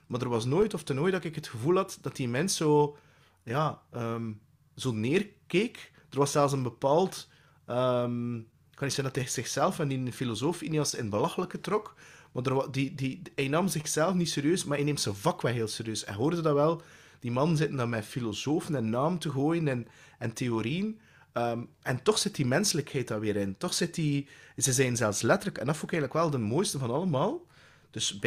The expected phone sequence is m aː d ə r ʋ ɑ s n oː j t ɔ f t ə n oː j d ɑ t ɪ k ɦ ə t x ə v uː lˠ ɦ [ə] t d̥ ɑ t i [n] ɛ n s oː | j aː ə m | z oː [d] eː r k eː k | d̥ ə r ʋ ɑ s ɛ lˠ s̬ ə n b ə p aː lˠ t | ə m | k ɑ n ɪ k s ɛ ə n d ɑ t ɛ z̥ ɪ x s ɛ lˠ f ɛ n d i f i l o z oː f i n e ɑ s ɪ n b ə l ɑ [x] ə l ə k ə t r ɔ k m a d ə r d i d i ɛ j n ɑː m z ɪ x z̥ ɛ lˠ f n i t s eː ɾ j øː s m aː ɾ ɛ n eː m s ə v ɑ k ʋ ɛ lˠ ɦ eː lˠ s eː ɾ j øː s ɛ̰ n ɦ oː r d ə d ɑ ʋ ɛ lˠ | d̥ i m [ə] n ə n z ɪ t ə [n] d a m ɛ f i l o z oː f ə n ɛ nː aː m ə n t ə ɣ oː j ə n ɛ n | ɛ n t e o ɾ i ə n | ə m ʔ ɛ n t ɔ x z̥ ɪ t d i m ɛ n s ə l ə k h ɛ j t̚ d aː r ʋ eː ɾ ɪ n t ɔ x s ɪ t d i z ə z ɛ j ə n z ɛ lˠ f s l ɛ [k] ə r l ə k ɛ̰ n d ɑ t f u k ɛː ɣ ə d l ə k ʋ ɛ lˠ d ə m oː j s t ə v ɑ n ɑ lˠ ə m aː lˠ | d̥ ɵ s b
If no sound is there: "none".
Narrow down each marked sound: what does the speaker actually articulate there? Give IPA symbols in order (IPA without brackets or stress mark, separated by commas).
ɑ, m, n, x, ɑ, n, t